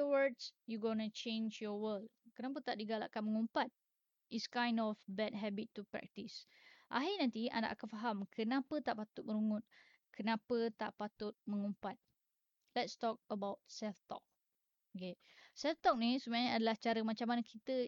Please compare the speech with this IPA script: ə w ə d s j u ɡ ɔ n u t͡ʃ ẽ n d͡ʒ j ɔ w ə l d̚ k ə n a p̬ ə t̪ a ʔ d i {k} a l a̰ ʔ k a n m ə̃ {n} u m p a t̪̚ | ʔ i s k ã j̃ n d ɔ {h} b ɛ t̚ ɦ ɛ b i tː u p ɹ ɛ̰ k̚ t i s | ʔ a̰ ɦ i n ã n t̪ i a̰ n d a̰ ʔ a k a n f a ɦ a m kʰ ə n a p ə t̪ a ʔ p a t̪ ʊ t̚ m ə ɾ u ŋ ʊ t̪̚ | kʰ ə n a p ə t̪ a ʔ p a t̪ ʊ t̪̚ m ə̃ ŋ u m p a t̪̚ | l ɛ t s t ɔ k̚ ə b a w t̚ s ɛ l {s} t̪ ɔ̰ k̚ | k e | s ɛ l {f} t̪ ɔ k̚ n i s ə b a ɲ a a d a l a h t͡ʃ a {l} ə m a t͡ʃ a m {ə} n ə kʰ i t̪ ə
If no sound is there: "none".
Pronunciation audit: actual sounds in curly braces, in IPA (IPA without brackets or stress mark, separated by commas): ɡ, ŋ, f, f, f, ɾ, a